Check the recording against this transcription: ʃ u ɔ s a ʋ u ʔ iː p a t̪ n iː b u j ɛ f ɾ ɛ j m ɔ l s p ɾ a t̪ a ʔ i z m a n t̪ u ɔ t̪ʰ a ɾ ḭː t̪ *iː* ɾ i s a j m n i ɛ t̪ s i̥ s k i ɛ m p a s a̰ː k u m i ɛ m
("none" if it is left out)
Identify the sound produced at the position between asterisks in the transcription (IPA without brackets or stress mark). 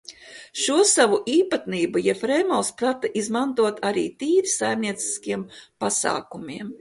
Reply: iː